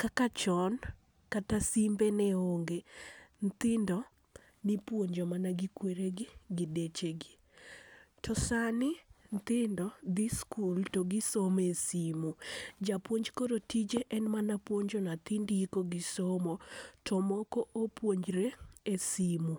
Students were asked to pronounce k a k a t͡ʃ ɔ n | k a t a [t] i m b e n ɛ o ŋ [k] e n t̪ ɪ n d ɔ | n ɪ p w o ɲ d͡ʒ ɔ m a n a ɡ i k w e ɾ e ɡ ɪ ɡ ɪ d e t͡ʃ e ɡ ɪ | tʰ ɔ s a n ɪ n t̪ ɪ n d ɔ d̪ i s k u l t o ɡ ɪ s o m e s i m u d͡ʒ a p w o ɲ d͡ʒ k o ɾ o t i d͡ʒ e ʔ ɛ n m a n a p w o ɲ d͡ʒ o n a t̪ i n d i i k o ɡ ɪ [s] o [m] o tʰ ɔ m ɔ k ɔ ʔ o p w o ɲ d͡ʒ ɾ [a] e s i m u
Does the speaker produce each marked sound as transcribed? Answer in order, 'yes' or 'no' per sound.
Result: no, no, yes, yes, no

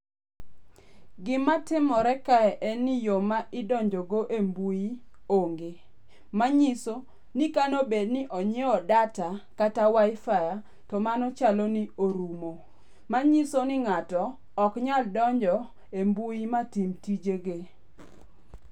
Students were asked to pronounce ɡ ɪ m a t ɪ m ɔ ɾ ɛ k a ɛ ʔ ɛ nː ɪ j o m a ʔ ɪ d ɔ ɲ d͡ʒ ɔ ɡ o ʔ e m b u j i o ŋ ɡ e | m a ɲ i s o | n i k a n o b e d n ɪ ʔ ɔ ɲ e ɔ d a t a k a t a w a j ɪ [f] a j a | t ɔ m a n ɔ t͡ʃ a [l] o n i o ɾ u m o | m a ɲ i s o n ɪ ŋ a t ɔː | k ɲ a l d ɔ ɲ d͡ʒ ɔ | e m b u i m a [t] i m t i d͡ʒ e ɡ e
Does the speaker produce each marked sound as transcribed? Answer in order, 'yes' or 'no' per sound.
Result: yes, yes, yes

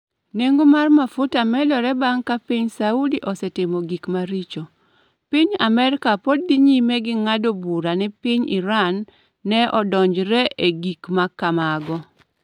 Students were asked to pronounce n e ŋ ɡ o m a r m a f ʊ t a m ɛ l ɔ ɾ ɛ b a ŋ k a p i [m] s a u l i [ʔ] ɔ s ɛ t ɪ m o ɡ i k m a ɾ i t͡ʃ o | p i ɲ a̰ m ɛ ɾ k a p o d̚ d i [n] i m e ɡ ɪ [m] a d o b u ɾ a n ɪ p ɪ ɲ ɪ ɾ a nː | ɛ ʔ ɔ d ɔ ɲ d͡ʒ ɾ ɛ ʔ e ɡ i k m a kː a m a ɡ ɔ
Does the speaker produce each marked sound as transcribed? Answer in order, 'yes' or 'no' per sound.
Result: no, yes, no, no

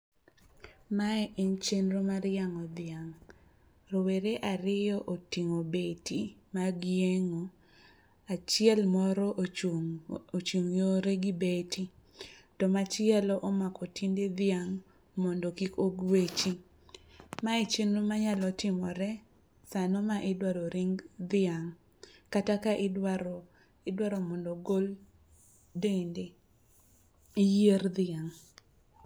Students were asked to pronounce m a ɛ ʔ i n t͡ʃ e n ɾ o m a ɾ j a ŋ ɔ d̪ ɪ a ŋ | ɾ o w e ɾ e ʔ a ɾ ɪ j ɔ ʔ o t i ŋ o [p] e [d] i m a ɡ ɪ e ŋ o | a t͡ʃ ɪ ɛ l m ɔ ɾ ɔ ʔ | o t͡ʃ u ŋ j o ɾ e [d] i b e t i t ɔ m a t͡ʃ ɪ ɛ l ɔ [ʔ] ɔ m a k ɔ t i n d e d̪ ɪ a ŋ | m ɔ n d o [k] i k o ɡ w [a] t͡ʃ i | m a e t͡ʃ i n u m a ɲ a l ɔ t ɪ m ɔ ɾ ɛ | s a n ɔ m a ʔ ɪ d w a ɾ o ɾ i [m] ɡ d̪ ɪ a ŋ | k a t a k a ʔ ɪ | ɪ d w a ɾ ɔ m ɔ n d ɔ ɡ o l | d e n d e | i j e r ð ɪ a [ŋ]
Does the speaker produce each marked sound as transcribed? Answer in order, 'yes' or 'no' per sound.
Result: no, no, no, yes, yes, no, no, yes

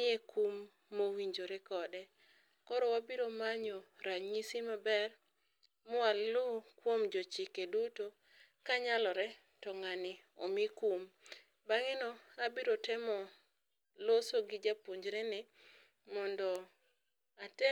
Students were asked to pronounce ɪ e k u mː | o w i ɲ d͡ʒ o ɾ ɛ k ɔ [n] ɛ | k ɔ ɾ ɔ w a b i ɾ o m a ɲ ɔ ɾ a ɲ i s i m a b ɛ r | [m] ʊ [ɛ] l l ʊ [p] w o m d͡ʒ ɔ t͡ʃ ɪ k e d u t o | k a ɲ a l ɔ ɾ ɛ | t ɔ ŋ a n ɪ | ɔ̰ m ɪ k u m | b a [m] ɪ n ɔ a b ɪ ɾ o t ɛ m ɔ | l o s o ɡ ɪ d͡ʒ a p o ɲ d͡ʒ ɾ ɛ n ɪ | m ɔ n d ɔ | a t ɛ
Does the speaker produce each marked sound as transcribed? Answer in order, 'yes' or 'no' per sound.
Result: no, yes, no, no, no

